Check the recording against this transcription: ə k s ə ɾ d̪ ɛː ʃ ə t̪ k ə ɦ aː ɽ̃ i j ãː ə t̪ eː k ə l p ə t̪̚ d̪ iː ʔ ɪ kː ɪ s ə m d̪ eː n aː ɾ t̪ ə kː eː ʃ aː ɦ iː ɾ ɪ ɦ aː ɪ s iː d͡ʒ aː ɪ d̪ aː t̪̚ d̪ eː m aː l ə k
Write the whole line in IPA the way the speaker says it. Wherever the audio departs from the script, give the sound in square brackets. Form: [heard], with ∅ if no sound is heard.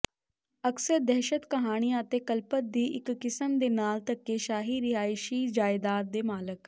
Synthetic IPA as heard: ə k s ə ɾ d̪ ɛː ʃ ə t̪ k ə ɦ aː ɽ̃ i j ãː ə t̪ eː k ə l p ə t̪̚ d̪ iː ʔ ɪ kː ɪ s ə m d̪ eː n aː [l] t̪ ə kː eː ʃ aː ɦ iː ɾ ɪ ɦ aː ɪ [ʃ] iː d͡ʒ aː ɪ d̪ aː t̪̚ d̪ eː m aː l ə k

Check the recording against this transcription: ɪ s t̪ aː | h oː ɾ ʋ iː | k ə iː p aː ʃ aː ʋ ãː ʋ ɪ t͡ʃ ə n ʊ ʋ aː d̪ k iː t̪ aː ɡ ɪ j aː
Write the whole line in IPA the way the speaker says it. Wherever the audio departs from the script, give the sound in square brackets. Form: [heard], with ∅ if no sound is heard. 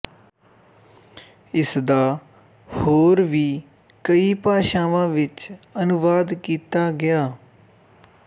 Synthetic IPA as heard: ɪ s [d̪] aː | h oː ɾ ʋ iː | k ə iː p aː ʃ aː ʋ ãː ʋ ɪ t͡ʃ ə n ʊ ʋ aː d̪ k iː t̪ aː ɡ ɪ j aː

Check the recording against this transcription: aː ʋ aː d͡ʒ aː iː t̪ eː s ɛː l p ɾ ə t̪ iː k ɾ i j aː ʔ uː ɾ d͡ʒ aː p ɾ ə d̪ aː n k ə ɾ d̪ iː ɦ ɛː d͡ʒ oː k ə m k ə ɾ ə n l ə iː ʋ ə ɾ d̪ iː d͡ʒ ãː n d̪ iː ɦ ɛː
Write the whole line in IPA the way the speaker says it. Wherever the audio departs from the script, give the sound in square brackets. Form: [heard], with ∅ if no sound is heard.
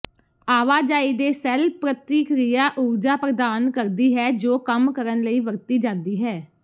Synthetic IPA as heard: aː ʋ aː d͡ʒ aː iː [d̪] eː s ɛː l p ɾ ə t̪ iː k ɾ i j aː ʔ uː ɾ d͡ʒ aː p ɾ ə d̪ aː n k ə ɾ d̪ iː ɦ ɛː d͡ʒ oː k ə m k ə ɾ ə n l ə iː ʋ ə ɾ [t̪] iː d͡ʒ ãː n d̪ iː ɦ ɛː

